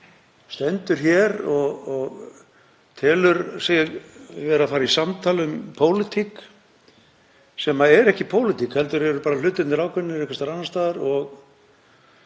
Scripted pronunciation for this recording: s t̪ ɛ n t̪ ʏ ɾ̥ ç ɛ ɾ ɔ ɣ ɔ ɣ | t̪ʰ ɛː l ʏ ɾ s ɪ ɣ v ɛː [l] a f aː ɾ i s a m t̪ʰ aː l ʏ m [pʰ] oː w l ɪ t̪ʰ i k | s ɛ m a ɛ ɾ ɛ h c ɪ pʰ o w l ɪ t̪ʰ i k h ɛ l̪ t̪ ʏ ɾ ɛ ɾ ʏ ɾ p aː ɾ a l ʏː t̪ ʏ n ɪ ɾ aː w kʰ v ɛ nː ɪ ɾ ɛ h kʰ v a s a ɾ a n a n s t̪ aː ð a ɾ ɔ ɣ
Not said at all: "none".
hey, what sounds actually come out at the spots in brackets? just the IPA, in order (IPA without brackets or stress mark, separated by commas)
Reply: ɾ, pʰ